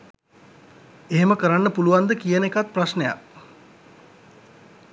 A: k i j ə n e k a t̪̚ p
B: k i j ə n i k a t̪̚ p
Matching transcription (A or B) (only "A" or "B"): A